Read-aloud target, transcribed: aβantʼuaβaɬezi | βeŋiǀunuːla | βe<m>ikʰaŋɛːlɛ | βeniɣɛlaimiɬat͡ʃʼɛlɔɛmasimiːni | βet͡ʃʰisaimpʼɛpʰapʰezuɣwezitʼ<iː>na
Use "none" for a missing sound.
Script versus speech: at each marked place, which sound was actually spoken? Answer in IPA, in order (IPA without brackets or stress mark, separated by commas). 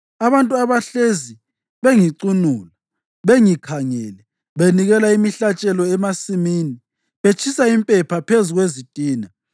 ŋ, iː